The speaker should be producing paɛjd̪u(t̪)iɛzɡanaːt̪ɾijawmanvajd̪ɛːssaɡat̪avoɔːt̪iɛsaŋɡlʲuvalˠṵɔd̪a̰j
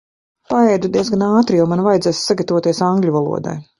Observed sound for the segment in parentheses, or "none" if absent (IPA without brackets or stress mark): d̪